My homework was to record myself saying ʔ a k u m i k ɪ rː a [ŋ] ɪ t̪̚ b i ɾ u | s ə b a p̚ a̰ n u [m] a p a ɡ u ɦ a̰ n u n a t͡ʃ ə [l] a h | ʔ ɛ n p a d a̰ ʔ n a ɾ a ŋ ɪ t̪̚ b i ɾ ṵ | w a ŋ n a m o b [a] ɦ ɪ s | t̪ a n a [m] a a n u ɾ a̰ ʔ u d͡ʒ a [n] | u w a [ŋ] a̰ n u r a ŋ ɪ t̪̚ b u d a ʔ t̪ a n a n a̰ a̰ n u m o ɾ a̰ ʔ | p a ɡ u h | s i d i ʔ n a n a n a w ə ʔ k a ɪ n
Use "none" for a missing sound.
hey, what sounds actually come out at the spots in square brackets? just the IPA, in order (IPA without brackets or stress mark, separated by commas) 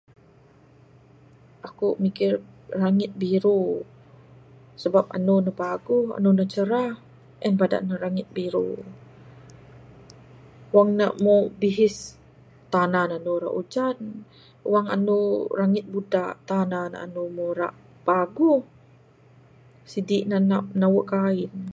ŋ, n, ɾ, i, n, n, ŋ